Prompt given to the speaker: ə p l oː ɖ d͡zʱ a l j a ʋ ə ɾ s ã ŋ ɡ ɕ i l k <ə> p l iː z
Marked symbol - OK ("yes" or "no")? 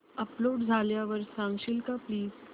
no